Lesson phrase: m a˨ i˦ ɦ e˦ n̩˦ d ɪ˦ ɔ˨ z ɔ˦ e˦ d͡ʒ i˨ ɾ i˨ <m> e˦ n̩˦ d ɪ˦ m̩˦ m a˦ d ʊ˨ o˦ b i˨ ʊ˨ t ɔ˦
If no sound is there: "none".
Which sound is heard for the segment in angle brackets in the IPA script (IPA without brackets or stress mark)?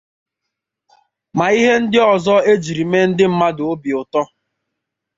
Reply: m